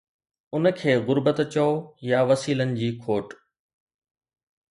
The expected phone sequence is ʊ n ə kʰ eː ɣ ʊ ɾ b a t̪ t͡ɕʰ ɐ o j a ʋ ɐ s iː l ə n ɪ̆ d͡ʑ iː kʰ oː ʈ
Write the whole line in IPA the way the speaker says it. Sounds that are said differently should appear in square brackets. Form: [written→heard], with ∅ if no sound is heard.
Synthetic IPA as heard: ʊ n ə kʰ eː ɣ ʊ ɾ b [a→ə] t̪ [t͡ɕʰ→t͡ɕ] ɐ o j a ʋ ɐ s iː l ə n ɪ̆ d͡ʑ iː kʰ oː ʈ